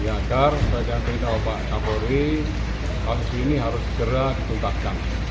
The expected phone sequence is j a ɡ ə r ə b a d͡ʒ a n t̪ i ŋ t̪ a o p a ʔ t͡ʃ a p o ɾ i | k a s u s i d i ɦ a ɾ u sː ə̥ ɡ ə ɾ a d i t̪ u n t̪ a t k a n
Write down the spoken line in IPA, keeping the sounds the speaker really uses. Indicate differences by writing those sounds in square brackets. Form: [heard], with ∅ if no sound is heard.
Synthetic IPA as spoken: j a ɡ [a] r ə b a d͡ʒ a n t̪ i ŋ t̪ a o p a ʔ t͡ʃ a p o ɾ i | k a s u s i [n] i ɦ a ɾ [ʊ] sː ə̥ ɡ ə ɾ a d i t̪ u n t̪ a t k a n